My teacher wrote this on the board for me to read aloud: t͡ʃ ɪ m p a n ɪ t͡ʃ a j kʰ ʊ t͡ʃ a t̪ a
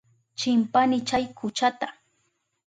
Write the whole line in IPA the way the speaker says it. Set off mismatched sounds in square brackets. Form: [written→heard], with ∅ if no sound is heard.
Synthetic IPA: t͡ʃ ɪ m p a n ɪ t͡ʃ a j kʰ ʊ t͡ʃ a t̪ a